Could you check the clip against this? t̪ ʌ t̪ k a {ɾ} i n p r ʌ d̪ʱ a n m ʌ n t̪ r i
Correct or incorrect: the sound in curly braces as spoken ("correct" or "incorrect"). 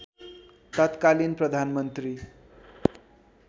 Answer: incorrect